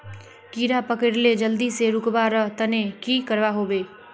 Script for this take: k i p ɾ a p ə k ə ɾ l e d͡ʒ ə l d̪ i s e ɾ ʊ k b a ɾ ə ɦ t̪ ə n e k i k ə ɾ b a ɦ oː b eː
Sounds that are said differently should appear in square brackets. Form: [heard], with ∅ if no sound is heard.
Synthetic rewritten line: k i [∅] ɾ a p ə k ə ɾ l e d͡ʒ ə l d̪ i s e ɾ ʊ k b a ɾ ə ɦ t̪ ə n e k i k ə ɾ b a ɦ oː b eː